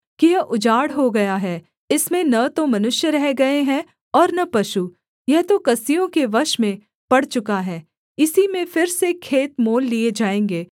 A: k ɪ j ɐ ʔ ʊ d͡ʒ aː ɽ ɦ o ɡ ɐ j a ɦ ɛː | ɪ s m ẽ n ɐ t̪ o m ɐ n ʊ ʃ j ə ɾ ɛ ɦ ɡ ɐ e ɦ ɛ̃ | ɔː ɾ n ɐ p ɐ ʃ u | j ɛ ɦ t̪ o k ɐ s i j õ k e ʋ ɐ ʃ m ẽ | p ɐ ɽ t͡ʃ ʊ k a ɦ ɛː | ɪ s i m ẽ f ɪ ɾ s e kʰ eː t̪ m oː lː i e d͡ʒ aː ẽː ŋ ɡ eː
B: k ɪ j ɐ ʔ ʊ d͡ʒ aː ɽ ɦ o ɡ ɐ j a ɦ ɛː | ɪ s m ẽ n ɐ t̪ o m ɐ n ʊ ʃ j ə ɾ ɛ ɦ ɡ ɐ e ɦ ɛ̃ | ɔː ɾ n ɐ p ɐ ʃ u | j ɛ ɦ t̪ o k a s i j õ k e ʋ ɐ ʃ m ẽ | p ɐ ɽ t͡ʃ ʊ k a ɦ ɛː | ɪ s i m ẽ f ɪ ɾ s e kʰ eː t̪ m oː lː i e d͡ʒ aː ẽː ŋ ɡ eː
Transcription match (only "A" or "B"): A